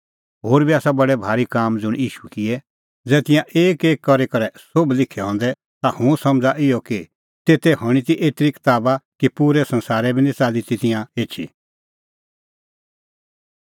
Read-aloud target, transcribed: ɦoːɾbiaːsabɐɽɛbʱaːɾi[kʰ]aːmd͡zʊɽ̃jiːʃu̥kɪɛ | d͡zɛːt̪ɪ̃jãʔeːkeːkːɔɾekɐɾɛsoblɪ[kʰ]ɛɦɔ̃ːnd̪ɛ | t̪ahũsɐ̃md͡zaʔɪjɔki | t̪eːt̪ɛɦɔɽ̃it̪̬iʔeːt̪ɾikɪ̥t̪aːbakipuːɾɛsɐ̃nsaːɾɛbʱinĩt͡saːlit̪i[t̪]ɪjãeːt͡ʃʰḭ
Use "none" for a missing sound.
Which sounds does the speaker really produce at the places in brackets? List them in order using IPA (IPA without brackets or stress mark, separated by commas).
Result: k, kʰ, t̪